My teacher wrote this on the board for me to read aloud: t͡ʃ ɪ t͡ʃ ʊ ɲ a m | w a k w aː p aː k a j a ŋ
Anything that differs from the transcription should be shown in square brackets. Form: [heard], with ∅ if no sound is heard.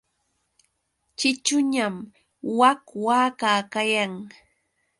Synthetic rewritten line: t͡ʃ ɪ t͡ʃ ʊ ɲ a m | w a k w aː [k] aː k a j a ŋ